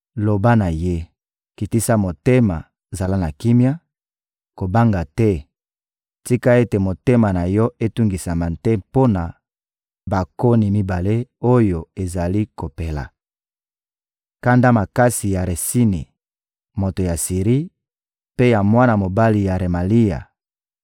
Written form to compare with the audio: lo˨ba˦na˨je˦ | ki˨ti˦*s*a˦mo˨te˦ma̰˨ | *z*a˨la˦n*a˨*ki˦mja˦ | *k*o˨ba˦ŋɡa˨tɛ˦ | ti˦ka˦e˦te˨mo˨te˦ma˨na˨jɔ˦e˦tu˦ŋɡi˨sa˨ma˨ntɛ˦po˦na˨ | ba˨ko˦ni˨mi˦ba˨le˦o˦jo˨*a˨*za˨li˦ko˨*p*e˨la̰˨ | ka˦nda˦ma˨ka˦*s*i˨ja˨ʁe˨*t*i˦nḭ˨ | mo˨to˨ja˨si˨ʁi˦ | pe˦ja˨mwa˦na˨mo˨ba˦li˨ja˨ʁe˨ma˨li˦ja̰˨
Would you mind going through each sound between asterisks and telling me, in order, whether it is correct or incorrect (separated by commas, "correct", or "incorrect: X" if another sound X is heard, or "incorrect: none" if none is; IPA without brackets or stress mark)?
correct, correct, correct, correct, incorrect: e˨, correct, correct, incorrect: s